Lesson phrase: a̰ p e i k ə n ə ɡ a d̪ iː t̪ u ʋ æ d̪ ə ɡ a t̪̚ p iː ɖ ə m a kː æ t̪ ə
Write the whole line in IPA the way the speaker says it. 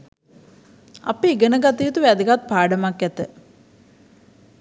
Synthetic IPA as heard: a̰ p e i ɡ ə n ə ɡ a t̪ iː t̪ u ʋ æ d̪ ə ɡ a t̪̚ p aː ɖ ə m a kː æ t̪ ə